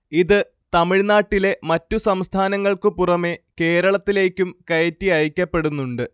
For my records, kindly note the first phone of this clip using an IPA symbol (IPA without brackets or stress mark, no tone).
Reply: i